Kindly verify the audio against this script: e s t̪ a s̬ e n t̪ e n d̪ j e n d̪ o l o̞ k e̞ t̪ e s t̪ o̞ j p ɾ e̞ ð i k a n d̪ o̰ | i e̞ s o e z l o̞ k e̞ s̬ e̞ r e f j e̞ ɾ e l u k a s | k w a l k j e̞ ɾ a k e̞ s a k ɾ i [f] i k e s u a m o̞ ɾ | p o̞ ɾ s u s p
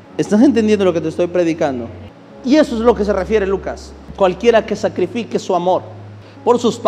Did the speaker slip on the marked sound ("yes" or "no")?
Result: no